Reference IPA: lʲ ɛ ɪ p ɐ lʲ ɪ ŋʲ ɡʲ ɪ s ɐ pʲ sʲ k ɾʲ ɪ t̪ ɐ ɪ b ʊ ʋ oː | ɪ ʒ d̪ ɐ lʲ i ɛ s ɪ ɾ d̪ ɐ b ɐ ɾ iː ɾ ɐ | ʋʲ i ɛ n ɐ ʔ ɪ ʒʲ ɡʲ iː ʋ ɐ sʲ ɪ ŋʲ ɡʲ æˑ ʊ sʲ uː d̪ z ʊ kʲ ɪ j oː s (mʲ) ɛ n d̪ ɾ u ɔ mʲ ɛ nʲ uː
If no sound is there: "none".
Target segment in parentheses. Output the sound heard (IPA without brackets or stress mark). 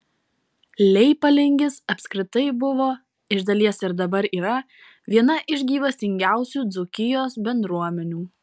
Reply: bʲ